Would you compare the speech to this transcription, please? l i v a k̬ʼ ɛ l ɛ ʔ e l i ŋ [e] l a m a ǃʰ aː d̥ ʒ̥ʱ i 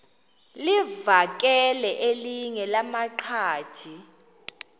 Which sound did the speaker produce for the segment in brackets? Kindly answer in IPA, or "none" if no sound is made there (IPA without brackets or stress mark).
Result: ɛ